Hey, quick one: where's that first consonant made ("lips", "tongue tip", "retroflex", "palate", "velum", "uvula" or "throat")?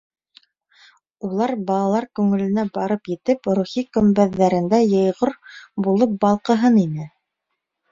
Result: tongue tip